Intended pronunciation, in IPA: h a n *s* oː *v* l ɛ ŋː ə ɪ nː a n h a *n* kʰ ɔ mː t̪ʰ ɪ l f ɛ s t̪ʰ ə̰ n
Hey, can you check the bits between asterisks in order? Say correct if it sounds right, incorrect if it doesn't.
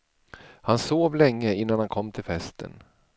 correct, correct, correct

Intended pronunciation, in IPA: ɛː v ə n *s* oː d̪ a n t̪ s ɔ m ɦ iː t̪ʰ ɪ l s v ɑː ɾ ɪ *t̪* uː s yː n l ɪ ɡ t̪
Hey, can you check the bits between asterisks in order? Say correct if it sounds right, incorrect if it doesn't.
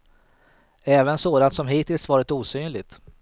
correct, correct

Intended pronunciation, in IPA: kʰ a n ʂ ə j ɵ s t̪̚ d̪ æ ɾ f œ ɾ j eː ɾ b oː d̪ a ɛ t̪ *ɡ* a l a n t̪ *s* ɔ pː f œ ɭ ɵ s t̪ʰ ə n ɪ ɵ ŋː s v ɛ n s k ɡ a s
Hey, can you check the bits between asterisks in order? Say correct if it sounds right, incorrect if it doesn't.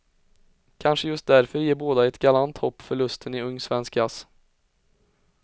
correct, incorrect: h

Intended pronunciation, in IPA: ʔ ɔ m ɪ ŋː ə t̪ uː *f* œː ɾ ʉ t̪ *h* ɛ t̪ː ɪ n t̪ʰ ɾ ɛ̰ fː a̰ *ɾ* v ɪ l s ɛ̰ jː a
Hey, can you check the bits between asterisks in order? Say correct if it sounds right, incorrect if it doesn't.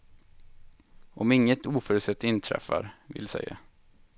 correct, incorrect: s, correct

